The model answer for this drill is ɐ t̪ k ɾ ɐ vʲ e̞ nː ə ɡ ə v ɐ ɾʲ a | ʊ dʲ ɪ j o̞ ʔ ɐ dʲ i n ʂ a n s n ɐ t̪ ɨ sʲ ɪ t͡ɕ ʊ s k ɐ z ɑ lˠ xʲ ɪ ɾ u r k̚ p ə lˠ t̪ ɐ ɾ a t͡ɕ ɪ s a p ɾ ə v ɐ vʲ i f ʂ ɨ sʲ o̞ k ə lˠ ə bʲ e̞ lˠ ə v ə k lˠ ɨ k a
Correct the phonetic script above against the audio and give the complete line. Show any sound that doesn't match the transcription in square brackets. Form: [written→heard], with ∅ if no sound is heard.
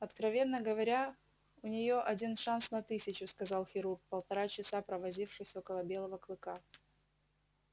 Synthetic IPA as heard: ɐ t̪ k ɾ ɐ vʲ e̞ nː ə ɡ ə v ɐ ɾʲ a | ʊ [dʲ→nʲ] ɪ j o̞ ʔ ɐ dʲ i n ʂ a n s n ɐ t̪ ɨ sʲ ɪ t͡ɕ ʊ s k ɐ z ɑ lˠ xʲ ɪ ɾ u r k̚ p ə lˠ t̪ ɐ ɾ a t͡ɕ ɪ s a p ɾ ə v ɐ [vʲ→zʲ] i f ʂ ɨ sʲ o̞ k ə lˠ ə bʲ e̞ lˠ ə v ə k lˠ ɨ k a